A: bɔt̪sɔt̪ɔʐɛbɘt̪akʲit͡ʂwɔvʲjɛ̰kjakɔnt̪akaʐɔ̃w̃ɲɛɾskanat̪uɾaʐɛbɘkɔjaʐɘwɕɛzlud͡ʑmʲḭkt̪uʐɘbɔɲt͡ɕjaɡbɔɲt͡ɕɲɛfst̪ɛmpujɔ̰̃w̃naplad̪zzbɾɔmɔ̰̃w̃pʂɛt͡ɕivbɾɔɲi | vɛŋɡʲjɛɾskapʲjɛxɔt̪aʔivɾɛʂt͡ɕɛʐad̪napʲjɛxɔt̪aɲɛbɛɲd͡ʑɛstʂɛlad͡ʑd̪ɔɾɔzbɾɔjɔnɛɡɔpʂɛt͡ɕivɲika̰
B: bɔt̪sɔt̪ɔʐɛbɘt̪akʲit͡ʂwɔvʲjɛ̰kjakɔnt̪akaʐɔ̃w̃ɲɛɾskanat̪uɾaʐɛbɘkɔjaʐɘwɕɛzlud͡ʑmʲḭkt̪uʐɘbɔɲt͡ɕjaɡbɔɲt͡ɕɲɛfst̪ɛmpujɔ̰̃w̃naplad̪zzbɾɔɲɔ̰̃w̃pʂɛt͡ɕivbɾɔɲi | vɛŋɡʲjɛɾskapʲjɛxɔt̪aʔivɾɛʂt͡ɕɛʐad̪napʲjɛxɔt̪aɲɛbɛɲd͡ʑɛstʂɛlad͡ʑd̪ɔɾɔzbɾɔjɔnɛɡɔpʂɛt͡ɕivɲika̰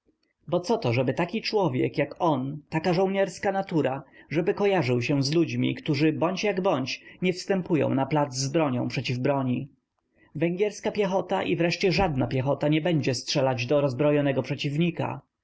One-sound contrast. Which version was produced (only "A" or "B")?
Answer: B